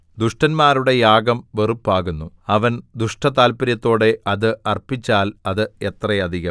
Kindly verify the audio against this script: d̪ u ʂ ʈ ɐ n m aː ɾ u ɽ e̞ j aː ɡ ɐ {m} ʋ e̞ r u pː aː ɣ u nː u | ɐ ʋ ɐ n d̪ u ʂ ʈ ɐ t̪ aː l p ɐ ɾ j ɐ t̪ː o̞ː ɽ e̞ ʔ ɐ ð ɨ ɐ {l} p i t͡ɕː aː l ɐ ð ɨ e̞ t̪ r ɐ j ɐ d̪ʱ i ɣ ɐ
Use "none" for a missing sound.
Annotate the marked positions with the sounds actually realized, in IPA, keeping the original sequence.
m, r

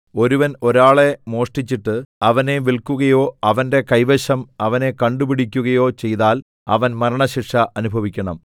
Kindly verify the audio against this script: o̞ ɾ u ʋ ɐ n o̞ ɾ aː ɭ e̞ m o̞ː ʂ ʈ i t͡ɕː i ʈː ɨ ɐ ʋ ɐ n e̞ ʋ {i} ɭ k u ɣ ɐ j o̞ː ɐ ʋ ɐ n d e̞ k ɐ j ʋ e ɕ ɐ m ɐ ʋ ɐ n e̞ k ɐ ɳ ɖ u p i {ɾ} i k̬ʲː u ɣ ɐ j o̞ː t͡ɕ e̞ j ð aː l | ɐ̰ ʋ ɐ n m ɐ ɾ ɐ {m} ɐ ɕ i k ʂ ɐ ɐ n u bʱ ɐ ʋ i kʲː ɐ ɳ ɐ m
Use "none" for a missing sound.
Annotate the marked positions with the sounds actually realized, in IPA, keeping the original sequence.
i, ɽ, ɳ

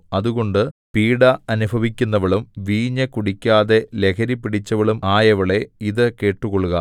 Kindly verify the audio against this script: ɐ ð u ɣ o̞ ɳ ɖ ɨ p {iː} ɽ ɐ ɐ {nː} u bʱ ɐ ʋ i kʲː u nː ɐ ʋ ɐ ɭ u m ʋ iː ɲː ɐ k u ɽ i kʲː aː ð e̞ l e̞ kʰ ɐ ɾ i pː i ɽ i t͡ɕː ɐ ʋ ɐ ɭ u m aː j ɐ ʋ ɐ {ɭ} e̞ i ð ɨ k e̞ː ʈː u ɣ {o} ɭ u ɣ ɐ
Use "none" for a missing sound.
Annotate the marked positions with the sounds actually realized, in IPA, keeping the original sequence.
iː, n, ɭ, o

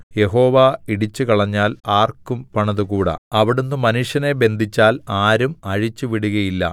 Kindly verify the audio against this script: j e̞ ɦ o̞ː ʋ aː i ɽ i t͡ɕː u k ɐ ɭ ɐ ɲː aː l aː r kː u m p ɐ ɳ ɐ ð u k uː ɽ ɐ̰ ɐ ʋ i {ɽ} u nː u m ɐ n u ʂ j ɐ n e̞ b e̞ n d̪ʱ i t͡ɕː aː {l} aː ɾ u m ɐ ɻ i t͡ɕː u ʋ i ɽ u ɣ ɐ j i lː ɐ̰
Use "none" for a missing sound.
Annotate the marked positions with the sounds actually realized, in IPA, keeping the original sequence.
ɽ, l

